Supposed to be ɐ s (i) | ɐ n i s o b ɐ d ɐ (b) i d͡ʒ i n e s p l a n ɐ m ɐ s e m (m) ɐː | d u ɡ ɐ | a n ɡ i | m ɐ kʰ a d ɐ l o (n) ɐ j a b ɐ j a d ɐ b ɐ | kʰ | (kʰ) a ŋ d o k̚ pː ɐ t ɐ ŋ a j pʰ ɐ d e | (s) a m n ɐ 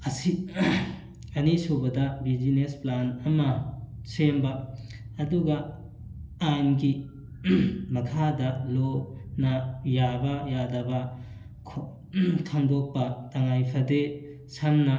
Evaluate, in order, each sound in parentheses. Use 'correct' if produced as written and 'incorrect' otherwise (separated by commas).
correct, correct, incorrect, correct, incorrect, correct